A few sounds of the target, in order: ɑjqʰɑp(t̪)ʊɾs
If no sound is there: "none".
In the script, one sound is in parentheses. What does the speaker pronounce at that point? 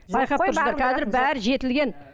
t̪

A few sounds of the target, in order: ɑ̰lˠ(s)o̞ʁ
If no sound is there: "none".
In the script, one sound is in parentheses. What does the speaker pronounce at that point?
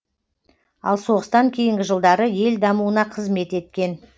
s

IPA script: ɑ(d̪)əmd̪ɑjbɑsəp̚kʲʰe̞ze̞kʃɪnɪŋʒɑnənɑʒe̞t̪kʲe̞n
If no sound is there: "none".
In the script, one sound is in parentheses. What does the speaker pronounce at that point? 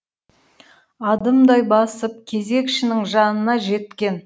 d̪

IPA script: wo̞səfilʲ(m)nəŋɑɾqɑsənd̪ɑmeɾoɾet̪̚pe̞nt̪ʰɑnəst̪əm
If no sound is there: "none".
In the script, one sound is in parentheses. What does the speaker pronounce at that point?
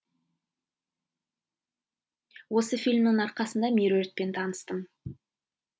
m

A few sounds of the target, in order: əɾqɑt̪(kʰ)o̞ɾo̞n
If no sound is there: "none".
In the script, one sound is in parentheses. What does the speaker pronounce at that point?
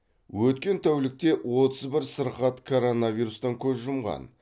kʰ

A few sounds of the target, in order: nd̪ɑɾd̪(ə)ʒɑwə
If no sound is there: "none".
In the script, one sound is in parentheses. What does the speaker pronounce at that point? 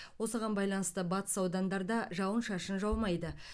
ɑ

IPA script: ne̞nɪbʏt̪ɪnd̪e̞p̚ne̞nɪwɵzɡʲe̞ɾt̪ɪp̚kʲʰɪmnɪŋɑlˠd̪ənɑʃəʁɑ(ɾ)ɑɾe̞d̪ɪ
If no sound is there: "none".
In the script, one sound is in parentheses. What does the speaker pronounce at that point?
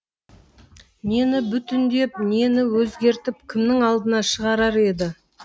ɾ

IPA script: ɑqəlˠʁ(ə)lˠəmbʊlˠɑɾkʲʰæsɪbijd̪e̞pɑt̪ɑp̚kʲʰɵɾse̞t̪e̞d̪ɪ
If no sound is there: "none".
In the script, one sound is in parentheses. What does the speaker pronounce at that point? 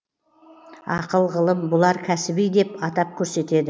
ə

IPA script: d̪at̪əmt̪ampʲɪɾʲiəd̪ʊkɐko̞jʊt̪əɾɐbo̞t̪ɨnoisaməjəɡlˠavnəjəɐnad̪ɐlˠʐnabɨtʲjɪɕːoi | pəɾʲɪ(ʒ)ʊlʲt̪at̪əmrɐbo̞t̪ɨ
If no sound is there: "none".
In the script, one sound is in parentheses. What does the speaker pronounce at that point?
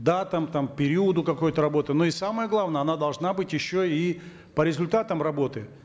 z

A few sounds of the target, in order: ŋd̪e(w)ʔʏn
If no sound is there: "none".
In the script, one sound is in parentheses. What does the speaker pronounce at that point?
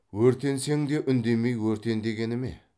none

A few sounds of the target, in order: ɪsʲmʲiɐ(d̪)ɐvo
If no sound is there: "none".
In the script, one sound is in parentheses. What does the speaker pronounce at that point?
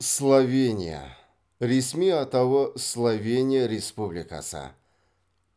t̪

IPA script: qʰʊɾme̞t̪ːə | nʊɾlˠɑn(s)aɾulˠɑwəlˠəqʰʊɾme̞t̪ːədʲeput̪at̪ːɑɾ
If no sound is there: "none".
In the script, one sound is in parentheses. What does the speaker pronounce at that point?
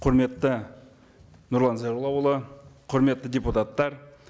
z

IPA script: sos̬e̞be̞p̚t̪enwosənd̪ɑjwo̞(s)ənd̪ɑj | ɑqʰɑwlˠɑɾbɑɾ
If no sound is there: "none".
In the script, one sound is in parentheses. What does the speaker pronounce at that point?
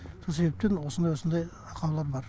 s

